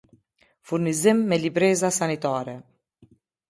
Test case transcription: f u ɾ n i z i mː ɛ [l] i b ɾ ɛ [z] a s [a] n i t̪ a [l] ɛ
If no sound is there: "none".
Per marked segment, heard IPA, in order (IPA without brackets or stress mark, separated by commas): l, z, a, ɾ